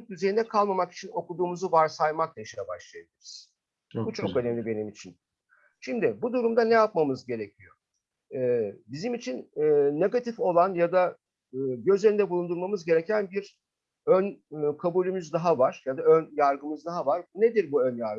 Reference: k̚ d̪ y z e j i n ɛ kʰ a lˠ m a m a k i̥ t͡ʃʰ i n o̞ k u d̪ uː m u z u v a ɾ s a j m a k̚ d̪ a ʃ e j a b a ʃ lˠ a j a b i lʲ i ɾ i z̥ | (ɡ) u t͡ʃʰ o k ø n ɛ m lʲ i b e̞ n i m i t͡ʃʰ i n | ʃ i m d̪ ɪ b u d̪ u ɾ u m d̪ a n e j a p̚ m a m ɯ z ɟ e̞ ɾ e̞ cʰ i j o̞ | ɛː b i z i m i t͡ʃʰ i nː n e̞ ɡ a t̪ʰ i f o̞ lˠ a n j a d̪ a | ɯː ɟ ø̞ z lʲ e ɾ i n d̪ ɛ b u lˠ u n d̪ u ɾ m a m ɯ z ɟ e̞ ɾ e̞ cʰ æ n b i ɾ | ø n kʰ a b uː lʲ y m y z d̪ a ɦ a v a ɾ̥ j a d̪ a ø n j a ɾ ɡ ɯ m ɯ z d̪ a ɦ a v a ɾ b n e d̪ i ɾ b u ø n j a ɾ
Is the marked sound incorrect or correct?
incorrect